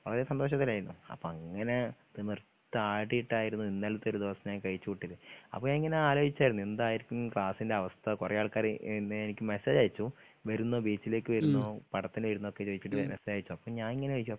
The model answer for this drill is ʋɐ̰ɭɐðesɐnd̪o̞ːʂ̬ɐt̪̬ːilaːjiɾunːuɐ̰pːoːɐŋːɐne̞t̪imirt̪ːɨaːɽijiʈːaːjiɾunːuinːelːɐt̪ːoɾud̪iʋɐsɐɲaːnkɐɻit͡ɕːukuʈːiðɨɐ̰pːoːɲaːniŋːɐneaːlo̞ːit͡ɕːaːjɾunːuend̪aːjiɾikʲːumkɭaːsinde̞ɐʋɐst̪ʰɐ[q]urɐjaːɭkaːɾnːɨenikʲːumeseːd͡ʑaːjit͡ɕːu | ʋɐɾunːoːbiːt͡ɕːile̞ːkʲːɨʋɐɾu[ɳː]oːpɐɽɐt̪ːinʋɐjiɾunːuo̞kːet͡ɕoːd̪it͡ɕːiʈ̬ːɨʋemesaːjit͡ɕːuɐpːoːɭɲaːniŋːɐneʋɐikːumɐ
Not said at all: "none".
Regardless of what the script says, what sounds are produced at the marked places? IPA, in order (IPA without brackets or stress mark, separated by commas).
k, nː